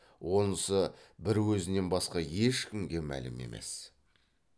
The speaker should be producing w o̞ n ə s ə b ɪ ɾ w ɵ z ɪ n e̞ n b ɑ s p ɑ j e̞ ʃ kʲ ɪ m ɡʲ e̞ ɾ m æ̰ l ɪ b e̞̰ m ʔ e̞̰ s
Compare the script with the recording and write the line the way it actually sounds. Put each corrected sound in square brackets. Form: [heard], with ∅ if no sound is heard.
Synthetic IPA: w o̞ n ə s ə b ɪ ɾ w ɵ z ɪ n e̞ n b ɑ s [q] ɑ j e̞ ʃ kʲ ɪ m ɡʲ e̞ [∅] m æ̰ l ɪ [m] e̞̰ m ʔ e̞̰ s